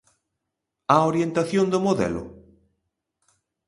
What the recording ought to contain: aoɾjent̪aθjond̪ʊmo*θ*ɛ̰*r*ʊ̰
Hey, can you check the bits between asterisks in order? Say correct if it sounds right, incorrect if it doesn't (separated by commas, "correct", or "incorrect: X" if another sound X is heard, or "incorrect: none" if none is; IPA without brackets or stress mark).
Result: incorrect: ð, incorrect: l